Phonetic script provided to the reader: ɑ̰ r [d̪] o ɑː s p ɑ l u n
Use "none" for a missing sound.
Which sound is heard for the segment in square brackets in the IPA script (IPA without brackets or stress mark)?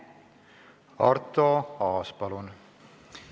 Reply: t̪